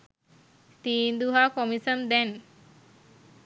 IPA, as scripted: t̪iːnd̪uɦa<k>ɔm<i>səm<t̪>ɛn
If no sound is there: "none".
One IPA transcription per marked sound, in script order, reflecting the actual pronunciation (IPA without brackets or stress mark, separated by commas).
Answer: k, i, d̪